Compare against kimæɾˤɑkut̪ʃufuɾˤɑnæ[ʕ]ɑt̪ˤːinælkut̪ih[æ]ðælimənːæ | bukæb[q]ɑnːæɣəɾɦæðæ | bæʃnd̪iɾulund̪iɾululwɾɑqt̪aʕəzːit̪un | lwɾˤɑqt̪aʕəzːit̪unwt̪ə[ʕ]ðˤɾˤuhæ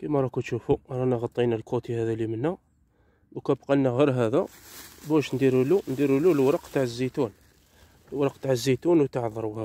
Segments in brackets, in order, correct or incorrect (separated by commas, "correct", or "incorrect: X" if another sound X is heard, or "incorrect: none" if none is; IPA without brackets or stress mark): incorrect: ɣ, correct, correct, correct